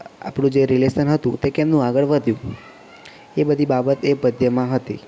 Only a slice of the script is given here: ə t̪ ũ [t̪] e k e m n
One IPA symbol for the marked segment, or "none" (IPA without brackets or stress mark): t̪